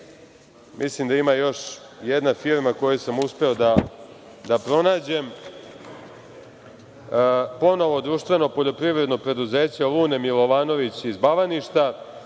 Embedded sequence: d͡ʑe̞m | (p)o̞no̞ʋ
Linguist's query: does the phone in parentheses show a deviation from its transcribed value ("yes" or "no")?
no